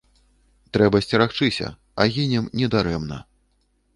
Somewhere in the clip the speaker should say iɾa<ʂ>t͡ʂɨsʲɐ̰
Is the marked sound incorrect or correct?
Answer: incorrect